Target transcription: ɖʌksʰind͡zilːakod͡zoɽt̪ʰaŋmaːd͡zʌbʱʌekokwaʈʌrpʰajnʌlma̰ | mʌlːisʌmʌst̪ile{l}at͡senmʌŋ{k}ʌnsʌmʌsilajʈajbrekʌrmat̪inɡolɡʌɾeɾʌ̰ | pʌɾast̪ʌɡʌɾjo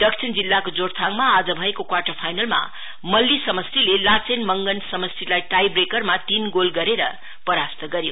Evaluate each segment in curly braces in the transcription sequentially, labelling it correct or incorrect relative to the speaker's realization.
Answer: correct, incorrect

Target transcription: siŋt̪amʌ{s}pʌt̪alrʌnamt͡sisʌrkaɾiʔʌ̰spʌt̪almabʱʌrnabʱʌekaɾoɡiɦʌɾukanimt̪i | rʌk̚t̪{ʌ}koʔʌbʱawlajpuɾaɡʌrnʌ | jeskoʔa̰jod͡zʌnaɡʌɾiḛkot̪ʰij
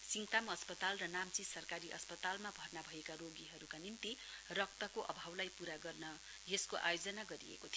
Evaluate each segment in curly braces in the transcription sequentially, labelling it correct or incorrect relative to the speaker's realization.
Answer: correct, correct

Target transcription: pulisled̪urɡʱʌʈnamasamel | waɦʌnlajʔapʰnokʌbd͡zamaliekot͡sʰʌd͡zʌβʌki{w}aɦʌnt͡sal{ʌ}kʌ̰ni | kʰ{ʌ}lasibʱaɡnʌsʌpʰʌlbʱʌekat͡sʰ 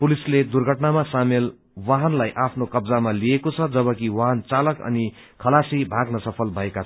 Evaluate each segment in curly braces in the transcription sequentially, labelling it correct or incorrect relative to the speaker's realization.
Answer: correct, correct, correct

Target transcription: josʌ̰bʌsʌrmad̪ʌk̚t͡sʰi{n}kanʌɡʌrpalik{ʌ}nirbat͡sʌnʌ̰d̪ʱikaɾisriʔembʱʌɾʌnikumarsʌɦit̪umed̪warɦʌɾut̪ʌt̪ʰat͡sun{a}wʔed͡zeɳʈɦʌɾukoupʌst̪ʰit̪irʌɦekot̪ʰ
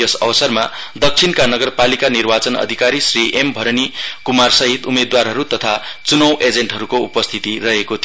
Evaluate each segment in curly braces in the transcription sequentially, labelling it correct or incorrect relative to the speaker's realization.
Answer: correct, incorrect, incorrect

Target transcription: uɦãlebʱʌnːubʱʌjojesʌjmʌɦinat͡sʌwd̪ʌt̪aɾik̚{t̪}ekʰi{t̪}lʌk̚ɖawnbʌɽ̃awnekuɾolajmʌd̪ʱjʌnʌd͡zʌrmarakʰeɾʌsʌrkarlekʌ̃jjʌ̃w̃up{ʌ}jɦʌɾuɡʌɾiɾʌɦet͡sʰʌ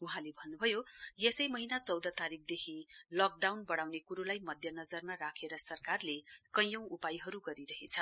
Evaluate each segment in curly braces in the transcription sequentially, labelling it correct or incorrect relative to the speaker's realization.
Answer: incorrect, incorrect, incorrect

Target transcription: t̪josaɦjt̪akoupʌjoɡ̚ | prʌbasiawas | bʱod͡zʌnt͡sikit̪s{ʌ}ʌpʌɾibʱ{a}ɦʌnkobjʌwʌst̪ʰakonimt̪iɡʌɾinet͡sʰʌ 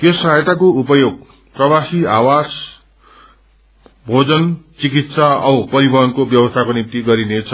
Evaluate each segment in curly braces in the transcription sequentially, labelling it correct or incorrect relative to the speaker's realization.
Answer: incorrect, incorrect

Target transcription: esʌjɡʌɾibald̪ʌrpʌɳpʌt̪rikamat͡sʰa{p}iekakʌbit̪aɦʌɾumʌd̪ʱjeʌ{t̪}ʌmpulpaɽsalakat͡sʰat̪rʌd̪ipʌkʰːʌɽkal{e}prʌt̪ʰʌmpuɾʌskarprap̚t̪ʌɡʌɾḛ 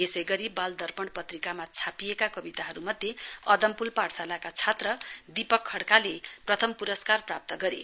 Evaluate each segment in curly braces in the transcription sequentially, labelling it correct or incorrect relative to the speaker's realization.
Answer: correct, incorrect, correct

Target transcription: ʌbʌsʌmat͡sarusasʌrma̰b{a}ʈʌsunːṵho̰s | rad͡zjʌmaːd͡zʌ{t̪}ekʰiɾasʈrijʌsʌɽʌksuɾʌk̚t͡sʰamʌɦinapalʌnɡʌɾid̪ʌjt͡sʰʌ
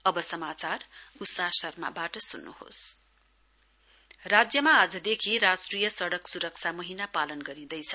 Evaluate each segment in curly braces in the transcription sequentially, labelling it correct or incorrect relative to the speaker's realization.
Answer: correct, incorrect

